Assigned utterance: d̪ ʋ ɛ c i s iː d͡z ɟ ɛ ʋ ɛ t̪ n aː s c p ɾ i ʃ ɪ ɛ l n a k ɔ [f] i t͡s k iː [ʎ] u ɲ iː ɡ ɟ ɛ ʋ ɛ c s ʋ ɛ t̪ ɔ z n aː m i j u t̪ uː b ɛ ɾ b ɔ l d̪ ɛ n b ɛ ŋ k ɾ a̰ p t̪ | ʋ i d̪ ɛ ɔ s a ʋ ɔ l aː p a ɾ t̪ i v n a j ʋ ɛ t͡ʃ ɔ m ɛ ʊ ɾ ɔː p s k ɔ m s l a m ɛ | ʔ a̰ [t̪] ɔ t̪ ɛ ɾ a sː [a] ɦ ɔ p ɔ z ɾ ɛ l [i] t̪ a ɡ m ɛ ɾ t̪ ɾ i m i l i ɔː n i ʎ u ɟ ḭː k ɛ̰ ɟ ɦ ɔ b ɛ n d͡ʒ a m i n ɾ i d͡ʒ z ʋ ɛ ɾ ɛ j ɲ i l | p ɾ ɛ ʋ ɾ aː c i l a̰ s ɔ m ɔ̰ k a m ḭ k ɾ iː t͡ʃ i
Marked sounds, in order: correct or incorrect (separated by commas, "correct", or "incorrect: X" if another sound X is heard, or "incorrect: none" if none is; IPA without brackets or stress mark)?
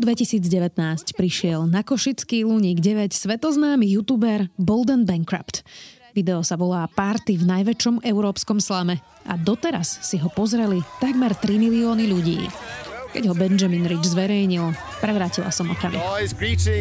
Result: incorrect: ʃ, incorrect: l, incorrect: d̪, incorrect: i, correct